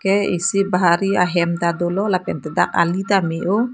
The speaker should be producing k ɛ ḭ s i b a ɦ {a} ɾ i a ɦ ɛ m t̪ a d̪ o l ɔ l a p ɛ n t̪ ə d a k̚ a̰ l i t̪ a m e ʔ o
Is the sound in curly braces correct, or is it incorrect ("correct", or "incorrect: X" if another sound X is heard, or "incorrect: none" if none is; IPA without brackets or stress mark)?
correct